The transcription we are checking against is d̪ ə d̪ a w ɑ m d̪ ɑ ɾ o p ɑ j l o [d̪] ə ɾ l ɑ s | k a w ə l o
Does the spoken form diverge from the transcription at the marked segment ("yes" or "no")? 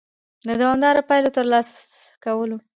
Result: yes